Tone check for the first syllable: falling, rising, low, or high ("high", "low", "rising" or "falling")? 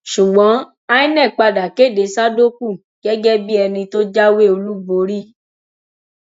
low